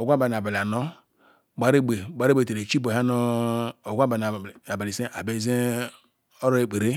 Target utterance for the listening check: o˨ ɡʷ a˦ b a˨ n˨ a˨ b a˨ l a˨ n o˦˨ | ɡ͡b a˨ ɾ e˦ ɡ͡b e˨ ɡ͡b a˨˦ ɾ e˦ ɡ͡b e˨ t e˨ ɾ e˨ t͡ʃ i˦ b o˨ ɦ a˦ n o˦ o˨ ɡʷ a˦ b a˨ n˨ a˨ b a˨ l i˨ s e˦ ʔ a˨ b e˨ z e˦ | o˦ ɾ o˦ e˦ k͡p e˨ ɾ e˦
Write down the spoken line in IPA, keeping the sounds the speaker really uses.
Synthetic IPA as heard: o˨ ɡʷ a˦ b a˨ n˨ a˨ b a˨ l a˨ n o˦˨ | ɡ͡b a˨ ɾ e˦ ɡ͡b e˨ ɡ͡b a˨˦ ɾ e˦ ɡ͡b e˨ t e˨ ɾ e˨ t͡ʃ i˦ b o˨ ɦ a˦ n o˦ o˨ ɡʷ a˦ b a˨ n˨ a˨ b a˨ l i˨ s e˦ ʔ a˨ b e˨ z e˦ | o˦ ɾ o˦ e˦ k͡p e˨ ɾ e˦